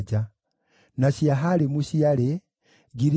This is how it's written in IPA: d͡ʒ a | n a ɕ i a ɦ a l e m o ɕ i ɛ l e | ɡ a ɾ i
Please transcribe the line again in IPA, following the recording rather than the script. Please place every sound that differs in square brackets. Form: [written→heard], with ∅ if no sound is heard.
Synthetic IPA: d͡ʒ a | n a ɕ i a ɦ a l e m [o→u] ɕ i [ɛ→a] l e | ɡ [a→i] ɾ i

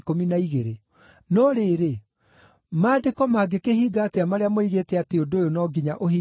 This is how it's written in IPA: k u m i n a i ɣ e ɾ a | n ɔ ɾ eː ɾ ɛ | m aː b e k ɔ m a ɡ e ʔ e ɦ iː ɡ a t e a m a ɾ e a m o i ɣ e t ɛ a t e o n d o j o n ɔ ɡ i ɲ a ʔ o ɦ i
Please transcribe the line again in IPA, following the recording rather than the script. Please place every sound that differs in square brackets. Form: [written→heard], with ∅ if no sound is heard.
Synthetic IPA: k [u→o] m i n a i ɣ e ɾ [a→e] | n ɔ ɾ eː ɾ [ɛ→e] | m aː [b→d] e k ɔ m a ɡ e [ʔ→k] e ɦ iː ɡ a t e a m a ɾ e a m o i ɣ e t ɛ a t e o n d o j o n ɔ ɡ i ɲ a ʔ o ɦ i

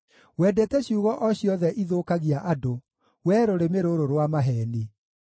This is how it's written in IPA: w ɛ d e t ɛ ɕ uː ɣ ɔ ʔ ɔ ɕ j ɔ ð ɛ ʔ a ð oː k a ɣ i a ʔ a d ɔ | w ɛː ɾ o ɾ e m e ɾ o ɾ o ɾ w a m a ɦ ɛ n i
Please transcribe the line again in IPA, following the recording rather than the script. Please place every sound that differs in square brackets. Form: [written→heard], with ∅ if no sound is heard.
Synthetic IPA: w ɛ d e t ɛ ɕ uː ɣ ɔ ʔ ɔ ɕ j ɔ ð ɛ ʔ [a→i] ð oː k a ɣ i a ʔ a d [ɔ→o] | w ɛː ɾ o ɾ e m e ɾ o ɾ o ɾ w a m a ɦ ɛ n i

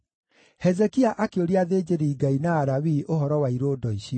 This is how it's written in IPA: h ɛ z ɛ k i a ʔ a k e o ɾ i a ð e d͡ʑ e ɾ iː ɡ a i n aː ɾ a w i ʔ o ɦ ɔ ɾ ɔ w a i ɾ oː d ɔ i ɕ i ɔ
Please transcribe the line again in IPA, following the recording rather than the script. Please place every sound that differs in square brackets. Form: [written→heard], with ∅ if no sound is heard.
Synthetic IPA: h ɛ z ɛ k i a ʔ a k e o ɾ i a ð e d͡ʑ e ɾ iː ɡ a i n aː ɾ a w i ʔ o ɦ ɔ ɾ ɔ w a i ɾ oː d ɔ i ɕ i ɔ

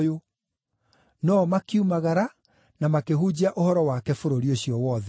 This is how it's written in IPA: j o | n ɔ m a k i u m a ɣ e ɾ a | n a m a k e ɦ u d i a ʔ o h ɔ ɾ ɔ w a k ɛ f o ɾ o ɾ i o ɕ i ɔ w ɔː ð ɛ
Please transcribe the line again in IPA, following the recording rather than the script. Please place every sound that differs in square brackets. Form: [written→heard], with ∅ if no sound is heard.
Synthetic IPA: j o | n ɔ m a k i u m a ɣ [e→a] ɾ a | n a m a k e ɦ u [d→d͡ʑ] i a ʔ o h ɔ ɾ ɔ w a k ɛ f o ɾ o ɾ i o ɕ i ɔ w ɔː ð ɛ

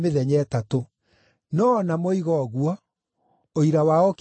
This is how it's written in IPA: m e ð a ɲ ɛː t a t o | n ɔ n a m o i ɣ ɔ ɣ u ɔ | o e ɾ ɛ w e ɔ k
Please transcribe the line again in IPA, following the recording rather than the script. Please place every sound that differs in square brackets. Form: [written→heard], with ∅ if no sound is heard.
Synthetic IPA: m e ð [a→ɛ] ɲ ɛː t a t o | n ɔ n a m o i ɣ ɔ ɣ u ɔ | o [e→i] ɾ [ɛ→a] w [e→a] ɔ k

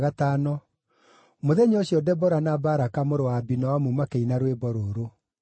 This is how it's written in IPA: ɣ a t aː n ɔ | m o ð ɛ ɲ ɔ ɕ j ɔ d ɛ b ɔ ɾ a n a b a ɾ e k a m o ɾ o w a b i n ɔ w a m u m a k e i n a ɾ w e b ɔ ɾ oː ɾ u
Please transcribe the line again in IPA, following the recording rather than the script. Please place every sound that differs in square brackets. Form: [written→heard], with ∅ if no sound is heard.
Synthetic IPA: ɣ a t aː n ɔ | m o ð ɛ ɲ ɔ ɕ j ɔ d ɛ b ɔ ɾ a n a b a ɾ [e→a] k a m o ɾ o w a b i n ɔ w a m u m a k e i n a ɾ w e b ɔ ɾ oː ɾ [u→o]

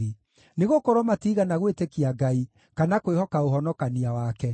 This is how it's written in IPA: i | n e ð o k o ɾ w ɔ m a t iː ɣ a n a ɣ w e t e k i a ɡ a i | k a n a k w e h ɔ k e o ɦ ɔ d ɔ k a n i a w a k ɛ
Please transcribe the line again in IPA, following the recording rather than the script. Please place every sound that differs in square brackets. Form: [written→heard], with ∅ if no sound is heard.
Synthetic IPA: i | n e [ð→ɣ] o k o ɾ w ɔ m a t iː ɣ a n a ɣ w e t e k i a ɡ a i | k a n a k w e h ɔ k [e→a] o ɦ ɔ [d→n] ɔ k a n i a w a k ɛ

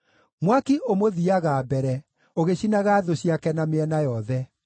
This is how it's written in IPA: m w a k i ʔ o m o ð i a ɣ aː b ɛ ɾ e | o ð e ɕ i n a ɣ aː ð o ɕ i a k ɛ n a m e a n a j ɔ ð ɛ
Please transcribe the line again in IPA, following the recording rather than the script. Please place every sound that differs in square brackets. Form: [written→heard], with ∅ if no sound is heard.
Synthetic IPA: m w a k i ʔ o m o ð i a ɣ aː b ɛ ɾ [e→ɛ] | o [ð→ɣ] e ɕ i n a ɣ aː ð o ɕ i a k ɛ n a m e [a→ɛ] n a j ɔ ð ɛ

